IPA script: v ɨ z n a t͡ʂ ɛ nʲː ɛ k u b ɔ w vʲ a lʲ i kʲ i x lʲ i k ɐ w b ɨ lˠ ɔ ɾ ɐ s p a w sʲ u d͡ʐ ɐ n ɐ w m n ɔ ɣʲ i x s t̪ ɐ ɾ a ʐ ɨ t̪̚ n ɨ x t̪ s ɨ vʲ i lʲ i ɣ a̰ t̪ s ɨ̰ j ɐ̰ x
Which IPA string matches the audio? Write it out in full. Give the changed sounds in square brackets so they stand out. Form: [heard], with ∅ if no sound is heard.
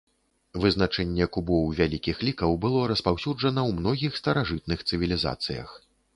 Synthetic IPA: v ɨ z n a t͡ʂ ɛ nʲː ɛ k u b ɔ w vʲ a lʲ i kʲ i x lʲ i k ɐ w b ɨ lˠ ɔ ɾ ɐ s p a w sʲ u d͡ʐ ɐ n ɐ w m n ɔ ɣʲ i x s t̪ ɐ ɾ a ʐ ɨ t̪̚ n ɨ x t̪ s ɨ vʲ i lʲ i [z] a̰ t̪ s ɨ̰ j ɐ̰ x